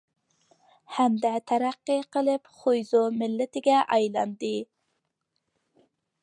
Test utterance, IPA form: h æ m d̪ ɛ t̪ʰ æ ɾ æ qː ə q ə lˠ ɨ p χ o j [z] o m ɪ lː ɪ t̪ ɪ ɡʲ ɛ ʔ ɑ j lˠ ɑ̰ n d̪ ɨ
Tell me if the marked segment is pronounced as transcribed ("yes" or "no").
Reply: yes